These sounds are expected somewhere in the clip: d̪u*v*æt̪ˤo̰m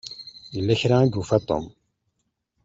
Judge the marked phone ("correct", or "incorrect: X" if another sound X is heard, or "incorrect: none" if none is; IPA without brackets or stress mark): incorrect: f